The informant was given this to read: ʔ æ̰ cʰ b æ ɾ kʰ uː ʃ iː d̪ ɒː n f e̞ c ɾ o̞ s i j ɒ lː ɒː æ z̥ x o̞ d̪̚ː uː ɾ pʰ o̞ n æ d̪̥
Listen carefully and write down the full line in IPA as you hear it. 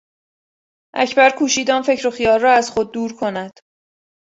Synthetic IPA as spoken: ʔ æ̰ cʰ b æ ɾ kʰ uː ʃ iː d̪ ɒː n f e̞ c ɾ o̞ x i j ɒː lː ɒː æ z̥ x o̞ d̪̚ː uː ɾ kʰ o̞ n æ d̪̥